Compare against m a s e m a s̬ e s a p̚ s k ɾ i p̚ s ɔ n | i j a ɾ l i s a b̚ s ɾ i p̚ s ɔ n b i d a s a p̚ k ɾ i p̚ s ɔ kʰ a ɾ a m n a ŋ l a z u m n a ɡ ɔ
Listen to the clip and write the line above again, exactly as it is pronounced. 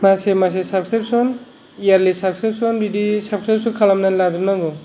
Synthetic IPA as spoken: m a s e m a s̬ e s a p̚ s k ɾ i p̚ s ɔ n | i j a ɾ l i s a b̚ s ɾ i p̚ s ɔ n b i d i s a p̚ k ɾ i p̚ s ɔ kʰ a l a m n a n l a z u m n a ɡ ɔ